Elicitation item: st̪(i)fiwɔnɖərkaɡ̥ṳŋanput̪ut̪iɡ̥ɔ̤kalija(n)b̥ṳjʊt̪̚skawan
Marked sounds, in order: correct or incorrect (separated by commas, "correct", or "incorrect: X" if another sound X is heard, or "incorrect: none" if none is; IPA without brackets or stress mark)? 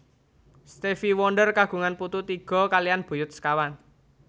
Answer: incorrect: e, correct